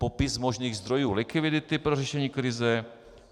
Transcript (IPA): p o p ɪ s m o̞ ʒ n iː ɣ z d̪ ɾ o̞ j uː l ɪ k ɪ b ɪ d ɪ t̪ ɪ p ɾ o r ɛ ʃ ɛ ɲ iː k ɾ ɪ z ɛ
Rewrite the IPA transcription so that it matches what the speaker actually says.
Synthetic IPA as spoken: p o p ɪ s m o̞ ʒ n iː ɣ z d̪ ɾ o̞ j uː l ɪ k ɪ v ɪ d ɪ t̪ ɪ p ɾ o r ɛ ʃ ɛ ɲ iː k ɾ ɪ z ɛ